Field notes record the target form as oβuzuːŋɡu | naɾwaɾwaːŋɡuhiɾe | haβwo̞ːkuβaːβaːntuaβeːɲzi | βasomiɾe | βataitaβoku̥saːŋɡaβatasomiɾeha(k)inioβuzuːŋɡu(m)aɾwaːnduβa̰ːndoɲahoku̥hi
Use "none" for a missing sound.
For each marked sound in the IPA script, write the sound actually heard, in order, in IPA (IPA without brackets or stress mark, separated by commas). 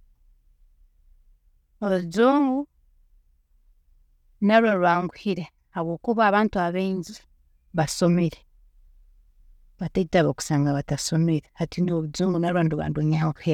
t, n